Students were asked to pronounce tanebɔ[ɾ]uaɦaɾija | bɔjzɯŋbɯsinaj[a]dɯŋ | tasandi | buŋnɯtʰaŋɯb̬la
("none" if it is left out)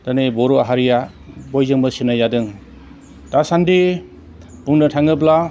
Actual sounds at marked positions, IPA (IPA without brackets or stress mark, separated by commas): ɾ, a